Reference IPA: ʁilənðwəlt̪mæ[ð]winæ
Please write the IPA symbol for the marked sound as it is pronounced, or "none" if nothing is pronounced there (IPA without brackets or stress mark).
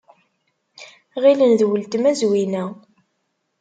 z